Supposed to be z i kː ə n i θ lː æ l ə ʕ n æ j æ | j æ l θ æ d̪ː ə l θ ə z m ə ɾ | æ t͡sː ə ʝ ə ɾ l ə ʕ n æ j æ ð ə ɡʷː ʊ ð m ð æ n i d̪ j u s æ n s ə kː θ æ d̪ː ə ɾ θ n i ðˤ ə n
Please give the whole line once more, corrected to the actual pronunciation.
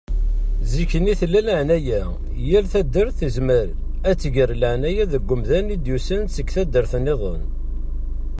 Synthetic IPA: z i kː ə n i θ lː æ l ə ʕ n æ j æ | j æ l θ æ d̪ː ə ɾ θ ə z m ə ɾ | æ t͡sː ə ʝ ə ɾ l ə ʕ n æ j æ ð ə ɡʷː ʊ m ð æ n i d̪ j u s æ n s ə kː θ æ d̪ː ə ɾ θ n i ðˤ ə n